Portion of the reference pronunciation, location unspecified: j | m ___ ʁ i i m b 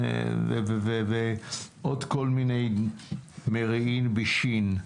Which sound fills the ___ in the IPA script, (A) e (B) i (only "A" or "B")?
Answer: A